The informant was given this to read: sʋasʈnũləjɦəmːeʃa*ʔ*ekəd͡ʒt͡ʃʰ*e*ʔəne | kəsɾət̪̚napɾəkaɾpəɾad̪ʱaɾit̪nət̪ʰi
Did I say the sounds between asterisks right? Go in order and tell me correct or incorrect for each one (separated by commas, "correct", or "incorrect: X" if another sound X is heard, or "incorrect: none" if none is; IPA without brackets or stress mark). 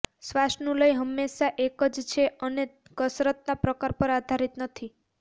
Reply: correct, correct